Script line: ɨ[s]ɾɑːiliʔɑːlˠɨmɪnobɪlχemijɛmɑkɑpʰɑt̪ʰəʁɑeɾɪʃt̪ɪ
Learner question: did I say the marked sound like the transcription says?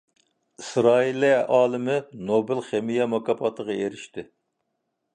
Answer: yes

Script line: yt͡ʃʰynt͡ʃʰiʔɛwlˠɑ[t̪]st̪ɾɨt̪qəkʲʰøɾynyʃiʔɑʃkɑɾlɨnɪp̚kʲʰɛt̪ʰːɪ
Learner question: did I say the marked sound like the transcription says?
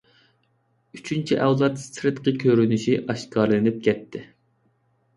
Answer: yes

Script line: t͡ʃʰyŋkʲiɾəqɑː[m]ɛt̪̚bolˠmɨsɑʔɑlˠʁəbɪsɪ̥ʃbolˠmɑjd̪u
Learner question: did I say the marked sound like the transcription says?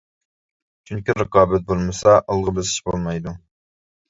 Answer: no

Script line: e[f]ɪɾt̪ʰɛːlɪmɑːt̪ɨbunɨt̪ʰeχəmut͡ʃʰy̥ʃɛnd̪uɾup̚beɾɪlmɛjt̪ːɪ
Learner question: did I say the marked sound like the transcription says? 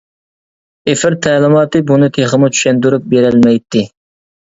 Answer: yes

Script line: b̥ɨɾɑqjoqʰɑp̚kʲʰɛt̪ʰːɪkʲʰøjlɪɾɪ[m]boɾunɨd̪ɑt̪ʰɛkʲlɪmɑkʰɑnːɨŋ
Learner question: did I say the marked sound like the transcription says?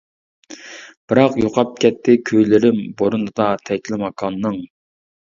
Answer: yes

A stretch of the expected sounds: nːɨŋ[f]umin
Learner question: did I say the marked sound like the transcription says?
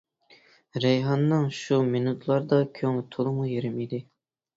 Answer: no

